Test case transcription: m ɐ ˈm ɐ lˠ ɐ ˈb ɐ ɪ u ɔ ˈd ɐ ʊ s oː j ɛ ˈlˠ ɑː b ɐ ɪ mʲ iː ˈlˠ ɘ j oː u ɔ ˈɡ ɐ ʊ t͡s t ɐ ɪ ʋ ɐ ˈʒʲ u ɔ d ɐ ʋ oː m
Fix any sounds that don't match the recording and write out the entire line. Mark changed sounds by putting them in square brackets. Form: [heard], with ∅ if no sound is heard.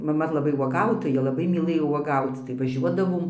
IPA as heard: m ɐ ˈm ɐ lˠ ɐ ˈb ɐ ɪ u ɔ [ˈɡ] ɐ ʊ [t] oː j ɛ ˈlˠ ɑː b ɐ ɪ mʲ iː ˈlˠ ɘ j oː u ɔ ˈɡ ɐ ʊ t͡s t ɐ ɪ ʋ ɐ ˈʒʲ u ɔ d ɐ ʋ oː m